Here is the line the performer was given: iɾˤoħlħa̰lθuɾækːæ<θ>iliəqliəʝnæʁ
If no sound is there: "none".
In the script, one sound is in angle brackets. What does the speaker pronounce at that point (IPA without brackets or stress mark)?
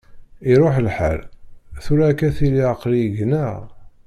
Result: θ